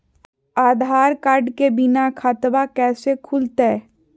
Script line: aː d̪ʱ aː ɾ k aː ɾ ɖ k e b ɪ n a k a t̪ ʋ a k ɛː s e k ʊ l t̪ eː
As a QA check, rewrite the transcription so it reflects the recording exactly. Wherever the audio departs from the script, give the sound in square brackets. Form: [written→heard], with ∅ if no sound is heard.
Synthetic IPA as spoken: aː d̪ʱ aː ɾ k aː ɾ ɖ k e b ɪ n a [k→kʰ] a t̪ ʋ a k ɛː s e [k→kʰ] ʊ l t̪ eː